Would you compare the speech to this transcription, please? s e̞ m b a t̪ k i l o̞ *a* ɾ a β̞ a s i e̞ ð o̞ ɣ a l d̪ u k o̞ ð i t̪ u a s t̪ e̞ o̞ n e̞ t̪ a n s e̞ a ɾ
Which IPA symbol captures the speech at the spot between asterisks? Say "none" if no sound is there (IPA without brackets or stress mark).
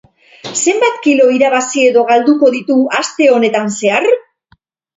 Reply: i